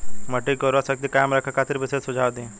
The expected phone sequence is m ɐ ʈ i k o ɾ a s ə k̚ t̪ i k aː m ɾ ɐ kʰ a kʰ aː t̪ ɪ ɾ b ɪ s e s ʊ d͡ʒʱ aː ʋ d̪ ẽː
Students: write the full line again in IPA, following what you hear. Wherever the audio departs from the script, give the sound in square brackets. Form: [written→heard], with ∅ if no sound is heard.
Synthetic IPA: m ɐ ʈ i k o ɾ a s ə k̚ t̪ i k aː m ɾ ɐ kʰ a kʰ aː t̪ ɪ ɾ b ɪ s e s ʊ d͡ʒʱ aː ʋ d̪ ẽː